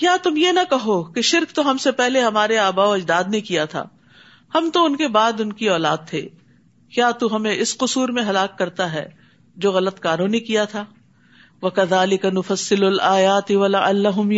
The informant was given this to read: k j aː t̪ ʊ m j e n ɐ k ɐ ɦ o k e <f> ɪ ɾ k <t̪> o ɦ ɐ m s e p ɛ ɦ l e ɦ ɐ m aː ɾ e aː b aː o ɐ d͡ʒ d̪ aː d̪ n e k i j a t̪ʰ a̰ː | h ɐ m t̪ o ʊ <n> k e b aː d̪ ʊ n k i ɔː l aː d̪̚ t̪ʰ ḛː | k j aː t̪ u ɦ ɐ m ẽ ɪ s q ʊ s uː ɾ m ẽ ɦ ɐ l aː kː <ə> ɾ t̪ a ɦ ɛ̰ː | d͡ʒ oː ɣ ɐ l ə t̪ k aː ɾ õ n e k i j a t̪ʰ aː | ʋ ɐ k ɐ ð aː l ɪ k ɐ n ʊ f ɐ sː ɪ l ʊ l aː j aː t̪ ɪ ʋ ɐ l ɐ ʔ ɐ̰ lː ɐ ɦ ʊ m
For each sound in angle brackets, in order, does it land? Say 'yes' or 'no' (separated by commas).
no, yes, yes, no